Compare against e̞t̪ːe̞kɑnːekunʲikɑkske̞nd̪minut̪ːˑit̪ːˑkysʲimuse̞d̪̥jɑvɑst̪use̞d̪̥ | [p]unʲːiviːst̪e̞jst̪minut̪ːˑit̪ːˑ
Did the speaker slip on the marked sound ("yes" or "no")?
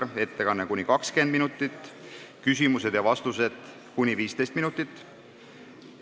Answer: yes